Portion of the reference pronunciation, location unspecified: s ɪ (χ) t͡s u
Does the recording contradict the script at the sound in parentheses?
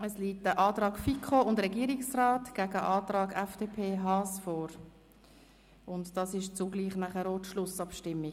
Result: yes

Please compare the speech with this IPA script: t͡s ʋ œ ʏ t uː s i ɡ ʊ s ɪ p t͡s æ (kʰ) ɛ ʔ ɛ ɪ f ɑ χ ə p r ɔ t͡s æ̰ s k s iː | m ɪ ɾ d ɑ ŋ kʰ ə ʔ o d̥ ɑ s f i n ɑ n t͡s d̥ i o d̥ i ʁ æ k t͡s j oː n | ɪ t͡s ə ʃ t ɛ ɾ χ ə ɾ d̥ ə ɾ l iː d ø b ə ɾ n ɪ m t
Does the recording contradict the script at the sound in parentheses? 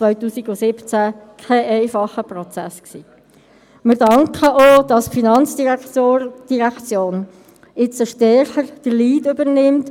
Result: no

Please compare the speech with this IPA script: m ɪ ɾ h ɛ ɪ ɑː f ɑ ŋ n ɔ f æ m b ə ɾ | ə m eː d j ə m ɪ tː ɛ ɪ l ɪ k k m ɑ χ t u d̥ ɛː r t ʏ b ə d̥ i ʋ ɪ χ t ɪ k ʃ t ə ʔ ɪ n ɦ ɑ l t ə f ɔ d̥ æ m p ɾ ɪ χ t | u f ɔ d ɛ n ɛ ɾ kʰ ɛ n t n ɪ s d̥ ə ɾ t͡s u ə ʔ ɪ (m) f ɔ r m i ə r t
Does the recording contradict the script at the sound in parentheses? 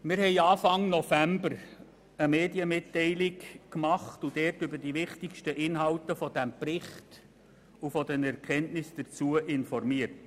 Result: yes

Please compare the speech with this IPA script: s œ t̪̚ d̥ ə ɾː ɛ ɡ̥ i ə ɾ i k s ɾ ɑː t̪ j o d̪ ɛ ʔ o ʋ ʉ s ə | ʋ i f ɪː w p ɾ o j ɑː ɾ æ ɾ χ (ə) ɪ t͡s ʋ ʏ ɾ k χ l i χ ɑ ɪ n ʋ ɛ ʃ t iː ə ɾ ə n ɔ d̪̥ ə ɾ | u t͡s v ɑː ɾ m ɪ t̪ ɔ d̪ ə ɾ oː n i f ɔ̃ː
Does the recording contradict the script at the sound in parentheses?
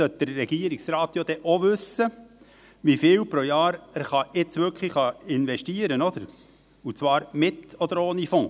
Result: yes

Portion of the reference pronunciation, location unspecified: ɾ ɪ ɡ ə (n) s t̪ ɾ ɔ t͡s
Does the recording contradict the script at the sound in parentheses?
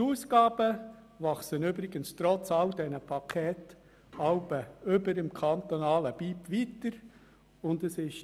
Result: no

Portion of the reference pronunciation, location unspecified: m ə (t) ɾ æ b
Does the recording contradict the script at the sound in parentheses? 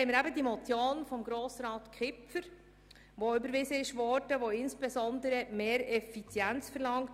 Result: yes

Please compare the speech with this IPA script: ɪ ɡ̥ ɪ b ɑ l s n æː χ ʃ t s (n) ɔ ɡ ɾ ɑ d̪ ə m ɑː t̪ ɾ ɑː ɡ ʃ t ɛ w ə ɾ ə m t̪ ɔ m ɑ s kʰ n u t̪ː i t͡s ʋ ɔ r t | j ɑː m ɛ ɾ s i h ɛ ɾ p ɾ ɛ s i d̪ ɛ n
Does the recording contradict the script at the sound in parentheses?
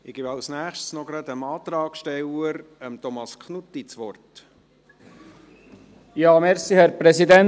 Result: no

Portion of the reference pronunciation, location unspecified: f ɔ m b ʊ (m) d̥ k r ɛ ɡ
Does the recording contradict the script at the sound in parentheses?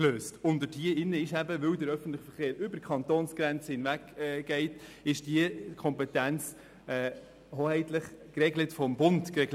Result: yes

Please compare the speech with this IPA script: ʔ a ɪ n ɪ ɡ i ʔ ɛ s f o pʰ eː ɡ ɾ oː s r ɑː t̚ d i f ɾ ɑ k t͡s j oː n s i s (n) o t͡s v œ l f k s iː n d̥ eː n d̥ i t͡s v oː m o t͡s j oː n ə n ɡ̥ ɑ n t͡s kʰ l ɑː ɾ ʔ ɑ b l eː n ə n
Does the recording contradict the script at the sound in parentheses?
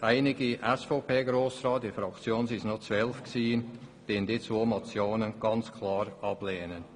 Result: no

